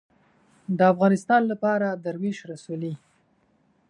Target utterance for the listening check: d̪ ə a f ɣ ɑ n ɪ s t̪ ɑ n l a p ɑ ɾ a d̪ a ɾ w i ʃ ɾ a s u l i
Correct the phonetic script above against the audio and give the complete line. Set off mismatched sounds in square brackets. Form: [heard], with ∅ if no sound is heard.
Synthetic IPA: d̪ ə a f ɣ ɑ n ɪ s t̪ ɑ n l a p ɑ ɾ a d̪ a ɾ w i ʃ ɾ a s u l i